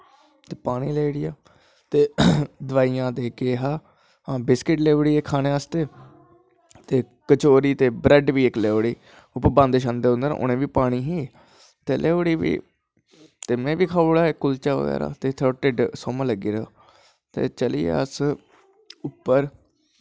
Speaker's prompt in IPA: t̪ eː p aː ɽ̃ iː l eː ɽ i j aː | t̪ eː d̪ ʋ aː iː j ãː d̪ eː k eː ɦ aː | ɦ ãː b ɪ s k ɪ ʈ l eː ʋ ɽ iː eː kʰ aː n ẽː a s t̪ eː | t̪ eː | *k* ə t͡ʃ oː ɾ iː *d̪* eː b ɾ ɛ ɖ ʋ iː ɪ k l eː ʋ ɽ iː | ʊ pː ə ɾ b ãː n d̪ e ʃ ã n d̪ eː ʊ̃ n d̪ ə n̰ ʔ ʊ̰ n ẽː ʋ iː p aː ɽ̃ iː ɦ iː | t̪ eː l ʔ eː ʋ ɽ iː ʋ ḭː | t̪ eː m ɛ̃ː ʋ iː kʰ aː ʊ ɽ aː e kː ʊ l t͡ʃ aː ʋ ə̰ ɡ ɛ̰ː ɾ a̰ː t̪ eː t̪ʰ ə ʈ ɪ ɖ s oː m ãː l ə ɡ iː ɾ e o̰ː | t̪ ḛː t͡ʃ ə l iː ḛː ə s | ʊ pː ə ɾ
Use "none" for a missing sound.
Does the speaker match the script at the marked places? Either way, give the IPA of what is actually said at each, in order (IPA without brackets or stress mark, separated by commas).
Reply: k, t̪